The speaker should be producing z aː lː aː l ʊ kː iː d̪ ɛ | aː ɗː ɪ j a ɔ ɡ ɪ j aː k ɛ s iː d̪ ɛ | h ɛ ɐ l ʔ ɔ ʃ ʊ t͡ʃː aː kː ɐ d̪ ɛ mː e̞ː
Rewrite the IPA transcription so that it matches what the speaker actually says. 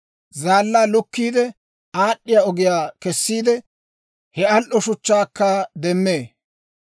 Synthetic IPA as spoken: z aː lː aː l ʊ kː iː d̪ ɛ | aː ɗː ɪ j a ɔ ɡ ɪ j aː k ɛ sː iː d̪ ɛ | h ɛ ɐ l ʔ ɔ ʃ ʊ t͡ʃː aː kː ɐ d̪ ɛ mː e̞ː

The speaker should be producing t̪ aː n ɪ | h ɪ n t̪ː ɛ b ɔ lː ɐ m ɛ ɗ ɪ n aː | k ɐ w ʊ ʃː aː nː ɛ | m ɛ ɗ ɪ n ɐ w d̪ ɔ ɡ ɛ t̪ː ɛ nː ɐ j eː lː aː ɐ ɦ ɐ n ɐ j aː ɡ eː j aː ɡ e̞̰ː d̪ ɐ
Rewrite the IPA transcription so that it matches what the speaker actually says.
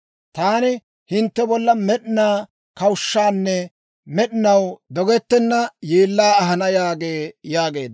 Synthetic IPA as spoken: t̪ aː n ɪ | h ɪ n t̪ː ɛ b ɔ lː ɐ m ɛ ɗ ɪ n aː | k ɐ w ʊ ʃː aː nː ɛ | m ɛ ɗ ɪ n ɐ w d̪ ɔ ɡ ɛ t̪ː ɛ nː ɐ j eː lː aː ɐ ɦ ɐ n ɐ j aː ɡ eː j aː ɡ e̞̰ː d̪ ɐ

